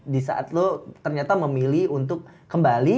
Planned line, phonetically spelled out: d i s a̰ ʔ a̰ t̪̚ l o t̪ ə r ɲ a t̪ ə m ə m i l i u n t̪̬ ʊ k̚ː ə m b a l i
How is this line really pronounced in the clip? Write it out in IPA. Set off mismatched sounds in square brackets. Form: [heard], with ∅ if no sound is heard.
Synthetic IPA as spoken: d i s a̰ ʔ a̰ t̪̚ l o t̪ ə r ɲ a t̪ [a] m ə m i l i u n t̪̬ ʊ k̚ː ə m b a l i